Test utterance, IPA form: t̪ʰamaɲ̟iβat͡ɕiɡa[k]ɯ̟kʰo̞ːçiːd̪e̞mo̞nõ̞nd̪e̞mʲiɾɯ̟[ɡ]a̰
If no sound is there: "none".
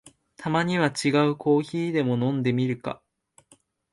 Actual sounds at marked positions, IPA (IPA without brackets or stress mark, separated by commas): none, k